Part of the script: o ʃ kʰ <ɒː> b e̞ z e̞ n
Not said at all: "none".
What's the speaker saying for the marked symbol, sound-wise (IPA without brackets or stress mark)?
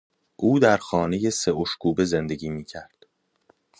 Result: uː